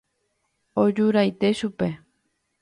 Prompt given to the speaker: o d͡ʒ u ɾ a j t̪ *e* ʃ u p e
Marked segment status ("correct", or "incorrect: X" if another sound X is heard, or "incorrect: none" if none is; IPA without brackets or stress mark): correct